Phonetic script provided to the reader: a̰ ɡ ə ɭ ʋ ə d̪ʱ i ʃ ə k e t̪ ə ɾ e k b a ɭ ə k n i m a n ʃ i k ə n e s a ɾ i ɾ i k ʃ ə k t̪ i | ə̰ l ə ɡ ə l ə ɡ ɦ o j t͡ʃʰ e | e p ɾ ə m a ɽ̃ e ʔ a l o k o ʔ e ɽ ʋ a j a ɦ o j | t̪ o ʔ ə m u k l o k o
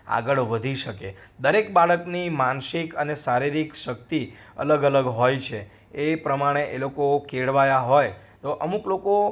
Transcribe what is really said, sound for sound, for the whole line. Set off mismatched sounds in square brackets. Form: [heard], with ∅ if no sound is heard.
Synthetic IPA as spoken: a̰ ɡ ə ɭ ʋ ə d̪ʱ i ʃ ə k e [d̪] ə ɾ e k b a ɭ ə k n i m a n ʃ i k ə n e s a ɾ i ɾ i k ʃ ə k t̪ i | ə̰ l ə ɡ ə l ə ɡ ɦ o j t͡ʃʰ e | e p ɾ ə m a ɽ̃ e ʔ [e] l o k o [k] e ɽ ʋ a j a ɦ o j | t̪ o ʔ ə m u k l o k o